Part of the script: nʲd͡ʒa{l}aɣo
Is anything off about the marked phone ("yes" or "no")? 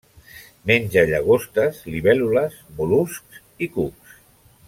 yes